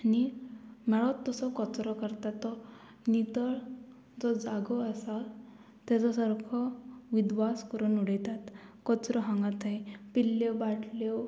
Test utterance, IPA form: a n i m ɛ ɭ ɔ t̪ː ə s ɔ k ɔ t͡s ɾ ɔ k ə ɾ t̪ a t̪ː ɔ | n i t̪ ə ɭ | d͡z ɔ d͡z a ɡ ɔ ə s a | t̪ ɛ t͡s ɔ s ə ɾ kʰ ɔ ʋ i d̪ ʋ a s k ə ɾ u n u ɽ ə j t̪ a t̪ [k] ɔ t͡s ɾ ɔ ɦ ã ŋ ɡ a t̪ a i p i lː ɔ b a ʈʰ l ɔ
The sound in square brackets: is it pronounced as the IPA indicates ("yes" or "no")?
yes